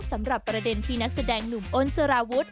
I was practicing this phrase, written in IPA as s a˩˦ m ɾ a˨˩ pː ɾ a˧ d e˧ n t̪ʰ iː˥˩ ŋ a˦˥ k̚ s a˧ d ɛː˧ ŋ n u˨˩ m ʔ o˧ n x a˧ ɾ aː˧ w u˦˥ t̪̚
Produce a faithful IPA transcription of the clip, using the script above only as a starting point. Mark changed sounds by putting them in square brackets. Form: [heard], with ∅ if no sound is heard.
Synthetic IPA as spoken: s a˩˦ m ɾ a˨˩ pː ɾ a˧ d e˧ n t̪ʰ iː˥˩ [n] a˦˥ k̚ s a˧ d ɛː˧ ŋ n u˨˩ m ʔ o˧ n [s] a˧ ɾ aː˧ w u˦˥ t̪̚